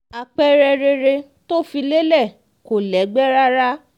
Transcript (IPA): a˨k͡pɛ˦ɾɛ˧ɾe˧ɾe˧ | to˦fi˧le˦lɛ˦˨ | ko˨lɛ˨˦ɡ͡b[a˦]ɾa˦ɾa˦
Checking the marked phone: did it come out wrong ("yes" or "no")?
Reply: yes